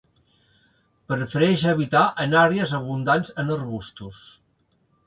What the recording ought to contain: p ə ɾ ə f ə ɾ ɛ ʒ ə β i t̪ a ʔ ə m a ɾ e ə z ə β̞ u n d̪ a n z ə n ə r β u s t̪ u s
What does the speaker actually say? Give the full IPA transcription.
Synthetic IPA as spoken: p ə ɾ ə f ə ɾ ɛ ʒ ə β i t̪ a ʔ ə n a ɾ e ə z ə β̞ u n d̪ a n z ə n ə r β u s t̪ u s